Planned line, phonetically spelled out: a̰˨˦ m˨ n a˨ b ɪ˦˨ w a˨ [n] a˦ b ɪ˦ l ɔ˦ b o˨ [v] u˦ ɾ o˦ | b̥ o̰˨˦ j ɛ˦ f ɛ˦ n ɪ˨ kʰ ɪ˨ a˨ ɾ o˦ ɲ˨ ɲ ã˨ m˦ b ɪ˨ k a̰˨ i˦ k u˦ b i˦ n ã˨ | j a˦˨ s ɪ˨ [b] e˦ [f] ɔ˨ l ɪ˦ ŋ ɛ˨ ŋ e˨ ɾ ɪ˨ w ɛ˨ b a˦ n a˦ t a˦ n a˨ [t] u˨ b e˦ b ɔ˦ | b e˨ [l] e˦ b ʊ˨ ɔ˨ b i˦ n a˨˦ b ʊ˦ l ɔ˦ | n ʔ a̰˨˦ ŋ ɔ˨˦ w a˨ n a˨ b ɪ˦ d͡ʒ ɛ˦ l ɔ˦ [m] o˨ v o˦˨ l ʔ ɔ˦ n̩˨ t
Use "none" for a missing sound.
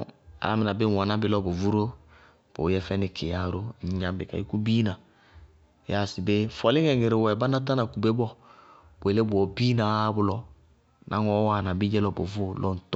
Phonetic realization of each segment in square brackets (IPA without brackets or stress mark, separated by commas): n, v, b, f, k, l, b